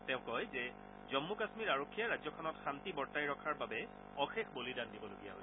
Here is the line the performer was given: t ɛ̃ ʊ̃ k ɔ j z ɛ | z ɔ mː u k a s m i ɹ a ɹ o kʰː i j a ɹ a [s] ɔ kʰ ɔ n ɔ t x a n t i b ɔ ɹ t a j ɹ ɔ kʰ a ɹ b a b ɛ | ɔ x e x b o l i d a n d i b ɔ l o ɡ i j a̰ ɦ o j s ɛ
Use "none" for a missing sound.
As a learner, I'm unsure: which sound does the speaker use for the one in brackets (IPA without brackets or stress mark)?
z